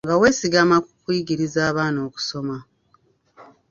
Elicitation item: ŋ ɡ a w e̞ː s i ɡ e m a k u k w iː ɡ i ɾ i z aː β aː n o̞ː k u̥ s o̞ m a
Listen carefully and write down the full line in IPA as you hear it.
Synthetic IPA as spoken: ŋ ɡ a w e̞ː s i ɡ a m a k u k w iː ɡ i ɾ i z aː β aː n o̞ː k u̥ s o̞ m a